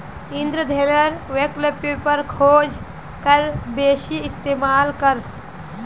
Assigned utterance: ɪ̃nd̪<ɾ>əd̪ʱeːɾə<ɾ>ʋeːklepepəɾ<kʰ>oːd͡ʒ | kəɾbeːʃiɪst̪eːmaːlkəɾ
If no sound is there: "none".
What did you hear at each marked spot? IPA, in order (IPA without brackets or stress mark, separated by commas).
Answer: ɾ, ɾ, kʰ